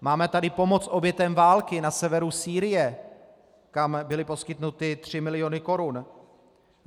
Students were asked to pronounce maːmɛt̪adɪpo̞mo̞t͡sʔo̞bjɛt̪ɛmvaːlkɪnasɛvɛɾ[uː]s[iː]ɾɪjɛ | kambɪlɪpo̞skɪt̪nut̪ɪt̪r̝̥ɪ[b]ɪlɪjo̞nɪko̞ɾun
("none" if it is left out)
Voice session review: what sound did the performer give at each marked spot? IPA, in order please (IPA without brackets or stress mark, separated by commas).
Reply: u, iː, m